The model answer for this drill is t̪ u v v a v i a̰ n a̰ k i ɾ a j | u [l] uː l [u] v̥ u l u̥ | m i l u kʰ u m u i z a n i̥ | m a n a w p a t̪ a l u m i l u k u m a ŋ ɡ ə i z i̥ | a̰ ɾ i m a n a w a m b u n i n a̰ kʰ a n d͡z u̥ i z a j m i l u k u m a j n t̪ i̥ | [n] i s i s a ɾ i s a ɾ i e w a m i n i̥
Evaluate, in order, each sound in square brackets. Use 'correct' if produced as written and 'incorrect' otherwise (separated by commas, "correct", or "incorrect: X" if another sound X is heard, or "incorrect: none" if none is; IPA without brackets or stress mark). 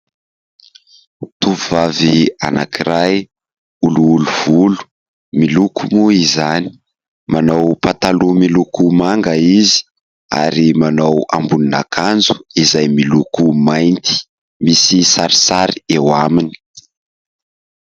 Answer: correct, correct, incorrect: m